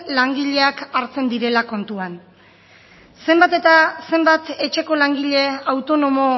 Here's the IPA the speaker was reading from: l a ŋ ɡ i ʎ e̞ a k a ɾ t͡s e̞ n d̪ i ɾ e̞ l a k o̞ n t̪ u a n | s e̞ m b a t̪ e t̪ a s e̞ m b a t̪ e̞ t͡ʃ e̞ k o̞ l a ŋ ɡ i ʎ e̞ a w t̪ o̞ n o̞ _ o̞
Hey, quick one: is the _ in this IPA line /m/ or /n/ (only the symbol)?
m